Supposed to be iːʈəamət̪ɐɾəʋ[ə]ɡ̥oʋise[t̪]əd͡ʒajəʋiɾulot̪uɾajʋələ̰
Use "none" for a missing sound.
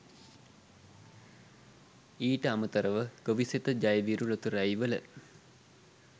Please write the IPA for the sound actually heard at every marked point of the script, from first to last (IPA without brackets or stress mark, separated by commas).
ə, t̪